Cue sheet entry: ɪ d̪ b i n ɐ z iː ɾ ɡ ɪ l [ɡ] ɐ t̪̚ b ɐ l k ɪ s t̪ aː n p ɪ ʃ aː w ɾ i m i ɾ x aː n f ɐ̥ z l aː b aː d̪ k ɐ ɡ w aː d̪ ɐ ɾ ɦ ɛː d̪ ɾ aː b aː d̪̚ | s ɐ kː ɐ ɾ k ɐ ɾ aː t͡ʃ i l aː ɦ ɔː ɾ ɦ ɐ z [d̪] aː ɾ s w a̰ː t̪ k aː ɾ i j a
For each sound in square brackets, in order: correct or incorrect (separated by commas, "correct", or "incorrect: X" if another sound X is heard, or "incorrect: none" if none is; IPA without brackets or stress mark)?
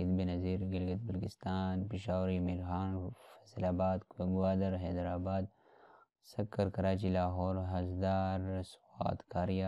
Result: correct, correct